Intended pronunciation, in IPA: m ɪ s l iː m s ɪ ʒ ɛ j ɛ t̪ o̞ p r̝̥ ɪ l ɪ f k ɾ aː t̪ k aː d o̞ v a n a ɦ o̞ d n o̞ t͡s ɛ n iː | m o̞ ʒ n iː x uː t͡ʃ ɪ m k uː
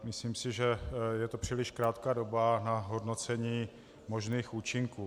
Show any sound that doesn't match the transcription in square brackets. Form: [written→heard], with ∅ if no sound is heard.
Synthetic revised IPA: m ɪ s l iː m s ɪ ʒ ɛ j ɛ t̪ o̞ p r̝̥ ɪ l ɪ [f→ʃ] k ɾ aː t̪ k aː d o̞ [v→b] a n a ɦ o̞ d n o̞ t͡s ɛ [n→ɲ] iː | m o̞ ʒ n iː x uː t͡ʃ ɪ [m→ŋ] k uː